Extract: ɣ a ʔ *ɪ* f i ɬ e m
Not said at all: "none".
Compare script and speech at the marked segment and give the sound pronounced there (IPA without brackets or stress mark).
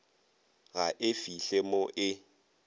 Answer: ɪ